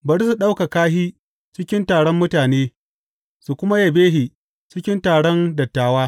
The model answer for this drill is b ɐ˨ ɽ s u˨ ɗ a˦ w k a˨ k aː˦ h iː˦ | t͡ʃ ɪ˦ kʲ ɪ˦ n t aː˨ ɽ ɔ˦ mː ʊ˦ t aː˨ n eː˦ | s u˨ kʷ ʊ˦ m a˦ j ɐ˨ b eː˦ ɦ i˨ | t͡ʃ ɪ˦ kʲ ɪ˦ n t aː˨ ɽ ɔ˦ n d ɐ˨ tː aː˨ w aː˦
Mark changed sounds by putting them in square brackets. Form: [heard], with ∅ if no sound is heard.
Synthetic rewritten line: b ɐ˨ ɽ s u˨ ɗ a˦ w k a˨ k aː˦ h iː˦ | t͡ʃ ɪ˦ kʲ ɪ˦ n t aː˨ ɽ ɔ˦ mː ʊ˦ t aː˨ n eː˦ | s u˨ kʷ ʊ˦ m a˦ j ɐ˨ b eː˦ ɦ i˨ | t͡ʃ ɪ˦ kʲ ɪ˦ n t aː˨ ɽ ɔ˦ n d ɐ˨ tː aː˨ w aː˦